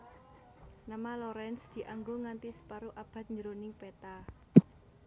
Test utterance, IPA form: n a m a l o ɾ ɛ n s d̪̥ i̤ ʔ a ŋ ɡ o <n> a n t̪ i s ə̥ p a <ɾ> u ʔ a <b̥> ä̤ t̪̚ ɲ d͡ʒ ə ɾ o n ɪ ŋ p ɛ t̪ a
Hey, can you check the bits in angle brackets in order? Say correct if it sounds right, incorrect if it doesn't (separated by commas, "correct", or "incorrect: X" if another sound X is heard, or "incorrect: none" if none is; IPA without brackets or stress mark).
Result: incorrect: ŋ, correct, correct